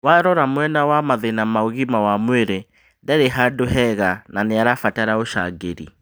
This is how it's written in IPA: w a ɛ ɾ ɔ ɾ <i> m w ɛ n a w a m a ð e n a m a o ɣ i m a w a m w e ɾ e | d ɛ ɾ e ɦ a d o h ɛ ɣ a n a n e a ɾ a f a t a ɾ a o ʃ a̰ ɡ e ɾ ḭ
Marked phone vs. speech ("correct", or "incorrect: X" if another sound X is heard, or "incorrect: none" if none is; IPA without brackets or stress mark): incorrect: a